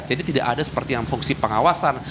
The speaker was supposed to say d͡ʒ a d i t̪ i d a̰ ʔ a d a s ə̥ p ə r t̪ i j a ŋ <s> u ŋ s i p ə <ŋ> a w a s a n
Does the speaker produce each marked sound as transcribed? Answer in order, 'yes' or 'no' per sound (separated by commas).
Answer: no, yes